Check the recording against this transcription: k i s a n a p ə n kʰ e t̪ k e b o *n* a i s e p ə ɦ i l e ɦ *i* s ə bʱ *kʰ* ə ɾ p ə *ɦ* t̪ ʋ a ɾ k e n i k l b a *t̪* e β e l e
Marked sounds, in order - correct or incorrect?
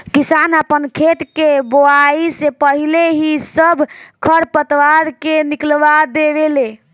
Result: incorrect, correct, correct, incorrect, incorrect

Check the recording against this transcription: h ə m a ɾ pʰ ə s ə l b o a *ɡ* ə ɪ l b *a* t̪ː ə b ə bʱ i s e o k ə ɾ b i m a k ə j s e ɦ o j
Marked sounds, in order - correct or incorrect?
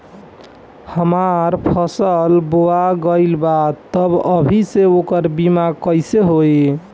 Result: correct, correct

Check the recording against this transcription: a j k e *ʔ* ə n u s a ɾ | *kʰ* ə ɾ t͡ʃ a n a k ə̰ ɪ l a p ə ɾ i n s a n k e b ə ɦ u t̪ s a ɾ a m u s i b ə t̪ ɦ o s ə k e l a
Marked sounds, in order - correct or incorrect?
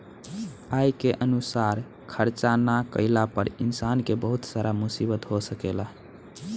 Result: correct, correct

